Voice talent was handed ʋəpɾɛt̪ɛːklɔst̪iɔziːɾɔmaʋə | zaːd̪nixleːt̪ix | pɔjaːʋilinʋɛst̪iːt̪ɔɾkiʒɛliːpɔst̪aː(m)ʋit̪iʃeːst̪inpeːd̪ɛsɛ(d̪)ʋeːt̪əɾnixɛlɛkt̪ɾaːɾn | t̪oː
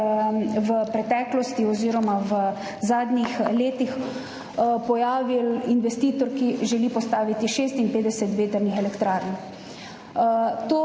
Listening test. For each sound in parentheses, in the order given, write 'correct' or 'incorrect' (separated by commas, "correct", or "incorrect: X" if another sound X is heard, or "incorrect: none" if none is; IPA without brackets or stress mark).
incorrect: none, incorrect: t̪